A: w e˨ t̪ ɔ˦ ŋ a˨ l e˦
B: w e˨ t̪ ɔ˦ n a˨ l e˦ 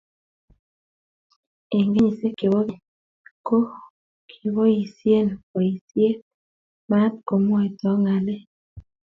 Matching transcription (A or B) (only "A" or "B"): A